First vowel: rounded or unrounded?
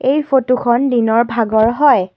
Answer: unrounded